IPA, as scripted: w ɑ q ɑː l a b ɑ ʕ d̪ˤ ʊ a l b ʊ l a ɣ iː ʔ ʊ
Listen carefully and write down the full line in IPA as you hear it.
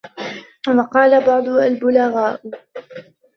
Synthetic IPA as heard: w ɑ q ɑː l a b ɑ ʕ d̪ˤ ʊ a l b ʊ l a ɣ aː ʔ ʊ